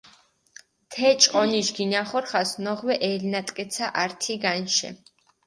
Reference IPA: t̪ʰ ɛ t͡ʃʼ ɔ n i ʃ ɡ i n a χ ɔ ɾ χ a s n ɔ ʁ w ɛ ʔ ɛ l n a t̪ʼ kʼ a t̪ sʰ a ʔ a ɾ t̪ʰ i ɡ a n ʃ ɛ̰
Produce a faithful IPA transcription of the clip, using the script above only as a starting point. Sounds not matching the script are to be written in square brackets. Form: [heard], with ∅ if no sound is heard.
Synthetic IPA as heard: t̪ʰ ɛ t͡ʃʼ ɔ n i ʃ ɡ i n a χ ɔ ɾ χ a s n ɔ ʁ w ɛ ʔ ɛ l n a t̪ʼ kʼ [ɛ] t̪ sʰ a ʔ a ɾ t̪ʰ i ɡ a n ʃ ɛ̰